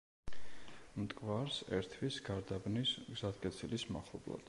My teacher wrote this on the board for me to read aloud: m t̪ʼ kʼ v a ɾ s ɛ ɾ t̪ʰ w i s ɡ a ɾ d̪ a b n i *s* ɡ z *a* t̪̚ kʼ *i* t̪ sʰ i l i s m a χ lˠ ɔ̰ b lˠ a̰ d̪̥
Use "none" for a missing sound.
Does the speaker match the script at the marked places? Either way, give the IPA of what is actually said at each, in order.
s, a, ɛ

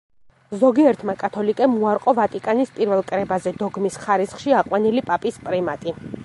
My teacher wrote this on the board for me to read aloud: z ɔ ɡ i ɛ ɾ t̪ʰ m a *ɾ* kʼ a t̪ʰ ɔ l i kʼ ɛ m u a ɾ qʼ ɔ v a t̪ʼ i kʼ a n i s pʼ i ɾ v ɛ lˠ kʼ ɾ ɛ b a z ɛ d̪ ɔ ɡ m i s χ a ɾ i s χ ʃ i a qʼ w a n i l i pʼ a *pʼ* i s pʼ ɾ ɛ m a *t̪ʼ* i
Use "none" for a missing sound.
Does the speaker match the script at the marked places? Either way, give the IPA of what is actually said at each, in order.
none, pʼ, t̪ʼ

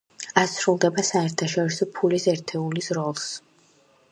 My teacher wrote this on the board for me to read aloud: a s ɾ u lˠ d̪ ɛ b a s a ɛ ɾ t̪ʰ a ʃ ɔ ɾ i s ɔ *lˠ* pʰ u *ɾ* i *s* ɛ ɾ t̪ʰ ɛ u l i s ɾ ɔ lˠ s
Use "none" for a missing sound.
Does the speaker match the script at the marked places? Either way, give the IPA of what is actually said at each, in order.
none, l, s

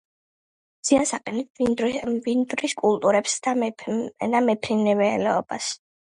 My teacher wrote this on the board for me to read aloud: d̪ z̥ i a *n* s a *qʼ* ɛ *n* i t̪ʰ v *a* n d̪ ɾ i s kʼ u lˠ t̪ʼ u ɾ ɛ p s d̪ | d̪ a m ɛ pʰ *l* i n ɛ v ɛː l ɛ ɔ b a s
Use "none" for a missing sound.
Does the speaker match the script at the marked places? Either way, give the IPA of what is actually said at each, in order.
n, qʼ, n, i, ɾ

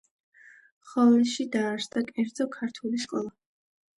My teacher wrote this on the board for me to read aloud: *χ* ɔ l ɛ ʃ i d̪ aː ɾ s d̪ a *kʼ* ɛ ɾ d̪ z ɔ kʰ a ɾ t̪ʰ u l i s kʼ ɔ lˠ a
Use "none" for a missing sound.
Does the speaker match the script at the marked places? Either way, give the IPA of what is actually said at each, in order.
χ, kʼ

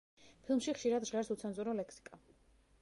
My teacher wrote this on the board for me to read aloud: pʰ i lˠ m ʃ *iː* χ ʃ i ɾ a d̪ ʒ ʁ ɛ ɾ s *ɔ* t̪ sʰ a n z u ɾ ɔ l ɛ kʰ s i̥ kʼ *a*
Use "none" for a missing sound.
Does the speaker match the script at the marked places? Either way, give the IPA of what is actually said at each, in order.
i, u, a

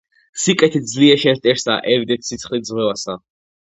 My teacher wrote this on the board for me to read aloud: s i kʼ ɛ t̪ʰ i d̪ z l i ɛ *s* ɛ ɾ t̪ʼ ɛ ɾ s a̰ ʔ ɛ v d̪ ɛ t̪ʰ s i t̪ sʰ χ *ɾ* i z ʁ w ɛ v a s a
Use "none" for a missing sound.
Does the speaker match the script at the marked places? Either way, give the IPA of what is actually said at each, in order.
ʃ, l

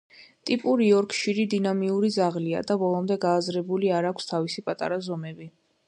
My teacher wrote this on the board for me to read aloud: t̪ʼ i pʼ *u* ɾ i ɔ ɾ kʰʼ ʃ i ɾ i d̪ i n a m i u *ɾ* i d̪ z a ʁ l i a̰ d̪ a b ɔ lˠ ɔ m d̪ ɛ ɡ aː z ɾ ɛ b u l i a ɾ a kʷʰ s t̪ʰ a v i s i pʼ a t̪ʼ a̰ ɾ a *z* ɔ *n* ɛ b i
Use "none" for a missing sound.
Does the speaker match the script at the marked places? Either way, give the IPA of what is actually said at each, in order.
u, ɾ, z, m

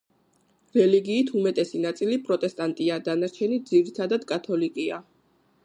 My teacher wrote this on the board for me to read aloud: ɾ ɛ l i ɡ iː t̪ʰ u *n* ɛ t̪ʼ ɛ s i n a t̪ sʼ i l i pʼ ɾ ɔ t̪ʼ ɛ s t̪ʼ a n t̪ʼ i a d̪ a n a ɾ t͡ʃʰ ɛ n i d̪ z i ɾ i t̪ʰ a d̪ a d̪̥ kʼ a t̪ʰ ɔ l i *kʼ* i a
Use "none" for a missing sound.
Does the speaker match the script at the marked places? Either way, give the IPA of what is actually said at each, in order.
m, kʼ

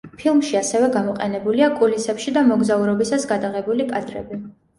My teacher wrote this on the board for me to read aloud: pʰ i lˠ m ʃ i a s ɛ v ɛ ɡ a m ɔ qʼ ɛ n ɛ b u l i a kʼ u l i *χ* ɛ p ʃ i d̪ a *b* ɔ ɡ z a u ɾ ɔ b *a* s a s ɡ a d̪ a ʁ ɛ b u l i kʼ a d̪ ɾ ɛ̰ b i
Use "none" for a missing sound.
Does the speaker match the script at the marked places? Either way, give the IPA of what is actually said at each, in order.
s, m, i

